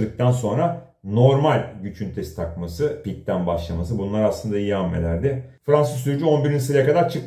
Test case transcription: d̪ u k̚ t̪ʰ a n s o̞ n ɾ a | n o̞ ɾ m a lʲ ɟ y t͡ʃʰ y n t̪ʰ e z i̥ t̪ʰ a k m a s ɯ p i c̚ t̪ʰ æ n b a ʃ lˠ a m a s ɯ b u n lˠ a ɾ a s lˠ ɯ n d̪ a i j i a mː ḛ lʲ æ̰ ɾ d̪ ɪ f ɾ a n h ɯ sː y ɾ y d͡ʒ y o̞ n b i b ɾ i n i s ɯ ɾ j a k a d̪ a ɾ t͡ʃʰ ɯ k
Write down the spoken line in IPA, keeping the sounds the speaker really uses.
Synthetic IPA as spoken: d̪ ɯ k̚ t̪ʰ a n s o̞ n ɾ a | n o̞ ɾ m a lʲ ɟ y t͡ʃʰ y n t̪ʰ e s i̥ t̪ʰ a k m a s ɯ p i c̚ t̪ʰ æ n b a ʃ lˠ a m a s ɯ b u n lˠ a ɾ a s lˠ ɯ n d̪ a i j i a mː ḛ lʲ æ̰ ɾ d̪ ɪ f ɾ a n s ɯ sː y ɾ y d͡ʒ y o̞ n b i ɾ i n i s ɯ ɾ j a k a d̪ a ɾ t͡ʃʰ ɯ k